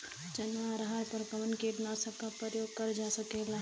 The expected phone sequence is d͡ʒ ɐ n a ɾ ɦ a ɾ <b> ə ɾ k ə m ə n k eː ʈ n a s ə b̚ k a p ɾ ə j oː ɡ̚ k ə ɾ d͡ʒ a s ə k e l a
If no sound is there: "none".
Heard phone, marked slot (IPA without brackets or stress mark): p